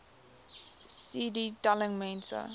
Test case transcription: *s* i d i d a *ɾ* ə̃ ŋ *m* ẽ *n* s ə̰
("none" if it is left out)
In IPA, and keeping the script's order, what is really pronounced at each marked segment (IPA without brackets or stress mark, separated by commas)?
s, l, m, n